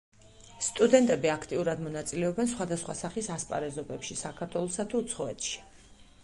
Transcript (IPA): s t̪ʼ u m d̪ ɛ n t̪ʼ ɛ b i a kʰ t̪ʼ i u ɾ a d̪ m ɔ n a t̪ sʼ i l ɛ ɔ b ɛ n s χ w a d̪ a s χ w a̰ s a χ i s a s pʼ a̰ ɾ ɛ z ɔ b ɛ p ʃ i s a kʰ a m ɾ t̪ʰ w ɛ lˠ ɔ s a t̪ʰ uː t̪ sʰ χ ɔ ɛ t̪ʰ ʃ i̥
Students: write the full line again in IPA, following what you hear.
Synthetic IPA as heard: s t̪ʼ u d̪ ɛ n t̪ʼ ɛ b i a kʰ t̪ʼ i u ɾ a d̪ m ɔ n a t̪ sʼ i l ɛ ɔ b ɛ n s χ w a d̪ a s χ w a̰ s a χ i s a s pʼ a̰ ɾ ɛ z ɔ b ɛ p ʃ i s a kʰ a ɾ t̪ʰ w ɛ lˠ ɔ s a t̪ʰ uː t̪ sʰ χ ɔ ɛ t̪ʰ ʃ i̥